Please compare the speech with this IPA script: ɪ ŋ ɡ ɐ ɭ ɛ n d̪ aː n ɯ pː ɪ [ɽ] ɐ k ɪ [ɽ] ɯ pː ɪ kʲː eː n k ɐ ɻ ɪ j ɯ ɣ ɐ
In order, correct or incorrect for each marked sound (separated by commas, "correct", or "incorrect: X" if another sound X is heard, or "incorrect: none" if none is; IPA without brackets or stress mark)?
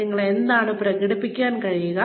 incorrect: ɾ, correct